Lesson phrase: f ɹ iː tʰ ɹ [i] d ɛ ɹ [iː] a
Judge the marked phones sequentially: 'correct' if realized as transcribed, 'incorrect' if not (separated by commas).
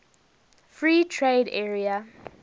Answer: incorrect, incorrect